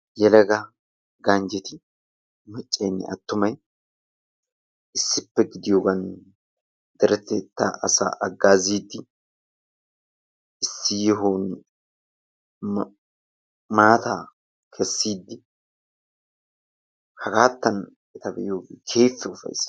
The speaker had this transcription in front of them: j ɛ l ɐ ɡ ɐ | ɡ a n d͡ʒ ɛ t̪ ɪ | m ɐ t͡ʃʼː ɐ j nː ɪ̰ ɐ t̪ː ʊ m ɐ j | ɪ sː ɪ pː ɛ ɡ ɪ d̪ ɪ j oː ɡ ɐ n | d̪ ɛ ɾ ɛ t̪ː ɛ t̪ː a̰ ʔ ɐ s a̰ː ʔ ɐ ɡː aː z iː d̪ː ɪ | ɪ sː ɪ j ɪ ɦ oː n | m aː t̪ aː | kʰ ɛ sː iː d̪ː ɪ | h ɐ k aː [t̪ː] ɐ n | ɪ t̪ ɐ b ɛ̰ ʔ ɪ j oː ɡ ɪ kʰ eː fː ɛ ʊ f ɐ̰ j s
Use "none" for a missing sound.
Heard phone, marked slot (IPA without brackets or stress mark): t̪ː